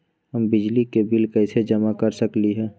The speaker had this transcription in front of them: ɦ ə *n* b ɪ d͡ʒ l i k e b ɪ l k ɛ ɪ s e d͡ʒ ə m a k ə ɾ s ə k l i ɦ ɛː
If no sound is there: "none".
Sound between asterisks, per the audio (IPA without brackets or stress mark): m